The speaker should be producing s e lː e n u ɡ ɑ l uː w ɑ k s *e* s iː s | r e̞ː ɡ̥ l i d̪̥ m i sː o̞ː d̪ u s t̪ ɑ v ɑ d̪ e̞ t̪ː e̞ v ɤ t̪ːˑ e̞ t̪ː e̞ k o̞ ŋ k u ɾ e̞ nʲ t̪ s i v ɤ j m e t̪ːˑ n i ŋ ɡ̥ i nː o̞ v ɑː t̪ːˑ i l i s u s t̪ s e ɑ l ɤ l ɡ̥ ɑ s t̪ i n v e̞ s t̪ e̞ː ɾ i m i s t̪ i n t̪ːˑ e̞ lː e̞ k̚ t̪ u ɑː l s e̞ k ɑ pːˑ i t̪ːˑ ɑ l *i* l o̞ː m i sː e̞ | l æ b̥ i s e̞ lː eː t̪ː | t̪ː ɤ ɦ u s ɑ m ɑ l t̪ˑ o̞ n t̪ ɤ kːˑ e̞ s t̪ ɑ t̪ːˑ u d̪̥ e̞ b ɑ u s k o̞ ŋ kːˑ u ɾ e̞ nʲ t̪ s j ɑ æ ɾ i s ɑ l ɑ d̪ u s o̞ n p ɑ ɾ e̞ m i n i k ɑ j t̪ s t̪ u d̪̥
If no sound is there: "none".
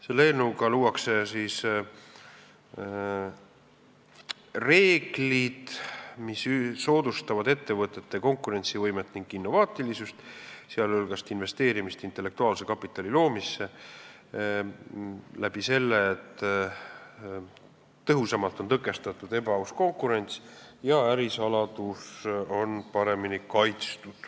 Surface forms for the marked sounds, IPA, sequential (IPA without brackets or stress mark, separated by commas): e, i